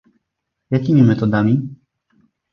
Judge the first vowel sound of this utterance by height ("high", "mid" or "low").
low